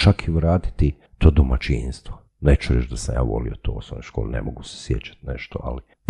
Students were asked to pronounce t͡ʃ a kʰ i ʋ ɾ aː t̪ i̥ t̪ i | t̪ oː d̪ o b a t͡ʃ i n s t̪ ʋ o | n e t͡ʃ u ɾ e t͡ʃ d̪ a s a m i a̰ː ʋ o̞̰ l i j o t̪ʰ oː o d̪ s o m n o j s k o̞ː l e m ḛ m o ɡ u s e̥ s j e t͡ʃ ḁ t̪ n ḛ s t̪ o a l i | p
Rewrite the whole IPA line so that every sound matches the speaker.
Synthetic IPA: t͡ʃ a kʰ i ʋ ɾ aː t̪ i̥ t̪ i | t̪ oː d̪ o m a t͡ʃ i n s t̪ ʋ o | n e t͡ʃ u ɾ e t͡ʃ d̪ a s a m j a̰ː ʋ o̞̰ l i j o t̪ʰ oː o s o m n o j ʃ k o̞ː l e n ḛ m o ɡ u s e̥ s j e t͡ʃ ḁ t̪ n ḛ ʃ t̪ o a l i | p